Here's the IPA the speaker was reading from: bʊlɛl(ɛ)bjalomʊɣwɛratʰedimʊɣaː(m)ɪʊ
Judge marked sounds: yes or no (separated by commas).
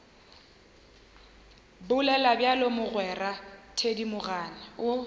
no, no